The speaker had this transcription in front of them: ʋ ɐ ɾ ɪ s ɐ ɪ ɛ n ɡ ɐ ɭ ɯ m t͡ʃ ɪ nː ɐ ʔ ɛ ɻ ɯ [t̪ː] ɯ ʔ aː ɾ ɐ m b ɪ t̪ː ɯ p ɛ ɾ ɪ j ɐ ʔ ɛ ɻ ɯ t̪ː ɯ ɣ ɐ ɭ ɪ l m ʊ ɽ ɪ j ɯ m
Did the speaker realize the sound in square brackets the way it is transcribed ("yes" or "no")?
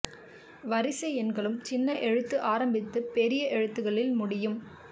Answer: yes